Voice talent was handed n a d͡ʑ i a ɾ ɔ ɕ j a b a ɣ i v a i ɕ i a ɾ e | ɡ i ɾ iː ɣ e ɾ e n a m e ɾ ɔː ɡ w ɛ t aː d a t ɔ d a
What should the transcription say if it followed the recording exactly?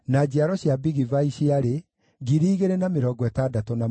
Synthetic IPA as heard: n a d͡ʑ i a ɾ ɔ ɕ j a b i ɣ i v a i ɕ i a ɾ e | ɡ i ɾ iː ɣ e ɾ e n a m e ɾ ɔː ɡ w ɛ t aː d a t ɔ n a